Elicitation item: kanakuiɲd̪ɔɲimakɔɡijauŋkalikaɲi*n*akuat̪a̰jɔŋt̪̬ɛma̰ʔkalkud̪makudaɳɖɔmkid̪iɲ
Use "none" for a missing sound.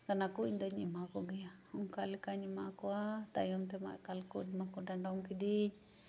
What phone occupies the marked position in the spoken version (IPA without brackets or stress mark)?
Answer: m